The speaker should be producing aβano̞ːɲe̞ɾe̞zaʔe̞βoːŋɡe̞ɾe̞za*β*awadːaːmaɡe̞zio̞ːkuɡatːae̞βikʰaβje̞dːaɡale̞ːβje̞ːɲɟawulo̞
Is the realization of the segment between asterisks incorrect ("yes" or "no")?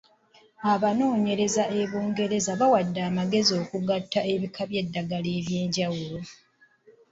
no